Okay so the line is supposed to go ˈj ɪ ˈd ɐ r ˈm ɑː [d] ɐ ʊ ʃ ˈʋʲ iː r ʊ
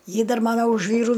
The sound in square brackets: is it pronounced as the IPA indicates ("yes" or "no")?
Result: no